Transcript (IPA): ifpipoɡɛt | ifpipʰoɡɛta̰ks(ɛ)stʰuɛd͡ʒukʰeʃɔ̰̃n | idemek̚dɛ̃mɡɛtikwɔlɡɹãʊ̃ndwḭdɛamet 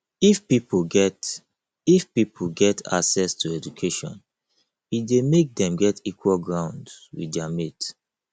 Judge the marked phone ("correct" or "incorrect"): correct